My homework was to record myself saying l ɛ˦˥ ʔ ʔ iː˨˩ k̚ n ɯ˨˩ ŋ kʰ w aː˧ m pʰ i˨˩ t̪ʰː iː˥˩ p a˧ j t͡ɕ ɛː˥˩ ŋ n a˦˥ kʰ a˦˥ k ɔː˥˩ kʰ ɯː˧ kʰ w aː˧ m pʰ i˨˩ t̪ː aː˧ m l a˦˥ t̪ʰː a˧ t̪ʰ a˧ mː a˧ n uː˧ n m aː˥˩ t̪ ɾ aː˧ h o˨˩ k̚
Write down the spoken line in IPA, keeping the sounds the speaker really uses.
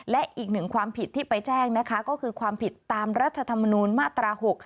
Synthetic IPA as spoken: l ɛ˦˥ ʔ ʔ iː˨˩ k̚ n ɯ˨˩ ŋ kʰ w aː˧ m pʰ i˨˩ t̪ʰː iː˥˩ p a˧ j t͡ɕ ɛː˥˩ ŋ n a˦˥ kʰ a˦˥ k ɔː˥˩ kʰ ɯː˧ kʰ w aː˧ m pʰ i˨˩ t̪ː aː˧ m ɾ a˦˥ t̪ʰː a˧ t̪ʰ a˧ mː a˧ n uː˧ n m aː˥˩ t̪ ɾ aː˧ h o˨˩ k̚